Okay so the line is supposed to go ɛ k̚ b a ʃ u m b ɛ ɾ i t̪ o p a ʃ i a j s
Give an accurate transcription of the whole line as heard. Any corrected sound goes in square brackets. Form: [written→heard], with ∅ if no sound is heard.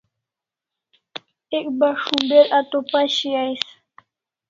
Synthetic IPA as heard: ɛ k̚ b a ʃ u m b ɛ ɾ [i→a] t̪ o p a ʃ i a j s